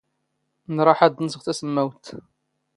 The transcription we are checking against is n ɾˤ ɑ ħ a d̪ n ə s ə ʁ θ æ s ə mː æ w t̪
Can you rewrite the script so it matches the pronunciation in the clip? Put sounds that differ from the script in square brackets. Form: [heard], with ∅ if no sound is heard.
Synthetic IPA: n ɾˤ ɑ ħ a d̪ n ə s ə ʁ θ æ s ə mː æ w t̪